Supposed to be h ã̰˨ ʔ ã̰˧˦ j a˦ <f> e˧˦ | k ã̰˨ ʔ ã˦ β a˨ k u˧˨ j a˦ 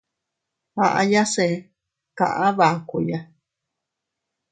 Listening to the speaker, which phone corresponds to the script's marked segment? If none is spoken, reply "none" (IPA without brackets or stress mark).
s